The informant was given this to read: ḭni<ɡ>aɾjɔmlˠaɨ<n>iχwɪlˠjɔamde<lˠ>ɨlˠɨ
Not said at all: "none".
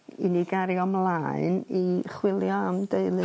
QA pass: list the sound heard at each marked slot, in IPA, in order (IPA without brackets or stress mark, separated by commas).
ɡ, n, none